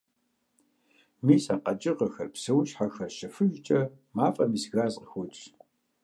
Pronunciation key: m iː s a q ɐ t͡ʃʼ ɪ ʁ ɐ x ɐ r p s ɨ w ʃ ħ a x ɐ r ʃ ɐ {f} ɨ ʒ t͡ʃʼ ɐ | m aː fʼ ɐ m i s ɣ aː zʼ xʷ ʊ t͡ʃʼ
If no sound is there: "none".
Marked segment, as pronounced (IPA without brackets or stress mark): f